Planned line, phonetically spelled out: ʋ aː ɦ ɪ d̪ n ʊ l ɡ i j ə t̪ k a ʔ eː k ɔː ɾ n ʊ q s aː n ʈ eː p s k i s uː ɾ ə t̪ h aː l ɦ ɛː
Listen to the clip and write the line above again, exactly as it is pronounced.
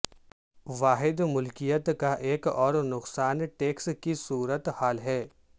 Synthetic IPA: ʋ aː ɦ ɪ d̪ m ʊ l k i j ə t̪ k a ʔ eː k ɔː ɾ n ʊ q s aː n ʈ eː k s k i s uː ɾ ə t̪ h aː l ɦ ɛː

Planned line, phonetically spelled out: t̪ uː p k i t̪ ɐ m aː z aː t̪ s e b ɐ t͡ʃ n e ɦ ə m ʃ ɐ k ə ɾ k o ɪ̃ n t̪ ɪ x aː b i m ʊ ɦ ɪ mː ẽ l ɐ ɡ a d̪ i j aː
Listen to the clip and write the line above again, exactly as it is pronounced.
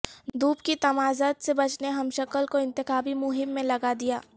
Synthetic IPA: d̪ uː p k i t̪ ɐ m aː z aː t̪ s e b ɐ t͡ʃ n e ɦ ɐ m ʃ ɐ k ə l k o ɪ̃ n t̪ ɪ x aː b i m ʊ ɦ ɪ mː ẽ l ɐ ɡ a d̪ i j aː

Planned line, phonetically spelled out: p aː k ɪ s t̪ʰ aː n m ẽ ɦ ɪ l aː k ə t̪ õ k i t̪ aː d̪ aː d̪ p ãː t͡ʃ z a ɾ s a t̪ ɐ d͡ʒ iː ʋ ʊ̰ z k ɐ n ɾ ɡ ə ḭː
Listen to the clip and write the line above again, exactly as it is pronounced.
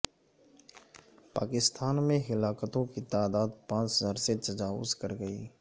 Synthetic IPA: p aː k ɪ s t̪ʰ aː n m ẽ ɦ ɪ l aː k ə t̪ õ k i t̪ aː d̪ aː d̪ p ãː t͡ʃ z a ɾ s e t̪ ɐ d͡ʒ aː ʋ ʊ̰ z k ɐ ɾ ɡ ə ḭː

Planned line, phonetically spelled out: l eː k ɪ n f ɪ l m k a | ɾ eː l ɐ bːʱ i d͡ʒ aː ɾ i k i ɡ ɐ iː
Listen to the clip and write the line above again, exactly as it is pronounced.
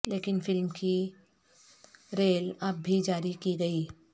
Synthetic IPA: l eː k ɪ n f ɪ l m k i | ɾ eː l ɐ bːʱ i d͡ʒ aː ɾ i k i ɡ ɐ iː

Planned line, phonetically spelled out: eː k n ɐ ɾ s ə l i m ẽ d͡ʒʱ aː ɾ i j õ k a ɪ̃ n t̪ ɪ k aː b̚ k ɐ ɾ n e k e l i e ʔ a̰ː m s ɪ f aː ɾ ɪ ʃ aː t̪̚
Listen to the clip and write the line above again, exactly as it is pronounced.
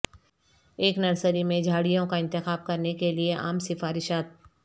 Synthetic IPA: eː k n ɐ ɾ s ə ɾ i m ẽ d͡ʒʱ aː ɽ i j õ k a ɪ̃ n t̪ ɪ x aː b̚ k ɐ ɾ n e k e l i e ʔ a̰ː m s ɪ f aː ɾ ɪ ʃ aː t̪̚

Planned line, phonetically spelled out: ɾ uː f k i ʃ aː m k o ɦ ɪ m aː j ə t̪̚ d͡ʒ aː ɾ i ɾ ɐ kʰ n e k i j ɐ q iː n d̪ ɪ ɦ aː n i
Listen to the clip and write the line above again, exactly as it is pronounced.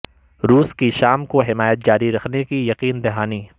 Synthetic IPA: ɾ uː s k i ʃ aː m k o ɦ ɪ m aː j ə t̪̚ d͡ʒ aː ɾ i ɾ ɐ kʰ n e k i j ɐ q iː n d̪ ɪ ɦ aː n i

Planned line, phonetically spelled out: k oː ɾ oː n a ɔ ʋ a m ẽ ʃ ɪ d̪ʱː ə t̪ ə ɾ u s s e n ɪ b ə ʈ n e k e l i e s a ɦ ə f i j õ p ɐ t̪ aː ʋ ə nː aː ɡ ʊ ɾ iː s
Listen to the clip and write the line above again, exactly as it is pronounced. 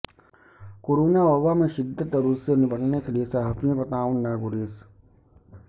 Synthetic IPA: k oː ɾ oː n a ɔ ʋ a m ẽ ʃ ɪ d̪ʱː ə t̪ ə ɾ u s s e n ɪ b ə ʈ n e k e l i e s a ɦ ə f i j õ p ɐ t̪ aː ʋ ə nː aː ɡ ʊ ɾ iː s

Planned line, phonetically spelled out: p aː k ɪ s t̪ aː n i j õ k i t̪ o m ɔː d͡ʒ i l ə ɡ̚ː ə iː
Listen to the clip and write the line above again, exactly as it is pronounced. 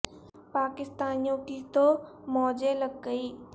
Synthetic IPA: p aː k ɪ s t̪ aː n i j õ k i t̪ o m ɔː d͡ʒ e l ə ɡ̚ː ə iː

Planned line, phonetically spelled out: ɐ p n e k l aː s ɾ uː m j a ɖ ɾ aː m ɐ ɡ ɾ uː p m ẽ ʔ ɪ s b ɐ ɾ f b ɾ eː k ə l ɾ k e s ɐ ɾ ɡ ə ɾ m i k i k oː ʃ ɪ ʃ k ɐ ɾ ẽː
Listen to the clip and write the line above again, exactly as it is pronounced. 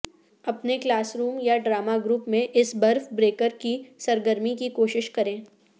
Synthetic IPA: ɐ p n e k l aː s ɾ uː m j a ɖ ɾ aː m a ɡ ɾ uː p m ẽ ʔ ɪ s b ɐ ɾ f b ɾ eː k ə ɾ k i s ɐ ɾ ɡ ə ɾ m i k i k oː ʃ ɪ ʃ k ɐ ɾ ẽː

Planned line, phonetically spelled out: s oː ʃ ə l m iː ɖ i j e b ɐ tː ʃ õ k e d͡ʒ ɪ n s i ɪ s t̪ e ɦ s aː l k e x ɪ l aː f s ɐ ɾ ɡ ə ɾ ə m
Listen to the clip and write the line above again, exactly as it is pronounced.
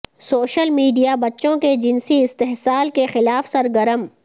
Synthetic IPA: s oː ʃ ə l m iː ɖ i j a b ɐ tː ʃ õ k e d͡ʒ ɪ n s i ɪ s t̪ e ɦ s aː l k e x ɪ l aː f s ɐ ɾ ɡ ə ɾ ə m

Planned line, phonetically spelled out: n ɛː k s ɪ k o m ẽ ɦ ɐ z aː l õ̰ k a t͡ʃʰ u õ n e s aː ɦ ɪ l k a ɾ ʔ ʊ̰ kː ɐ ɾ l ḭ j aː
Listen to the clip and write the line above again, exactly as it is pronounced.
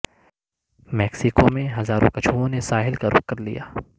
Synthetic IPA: m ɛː k s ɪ k o m ẽ ɦ ɐ z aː ɾ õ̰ k ɐ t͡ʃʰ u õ n e s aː ɦ ɪ l k a ɾ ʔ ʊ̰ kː ɐ ɾ l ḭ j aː

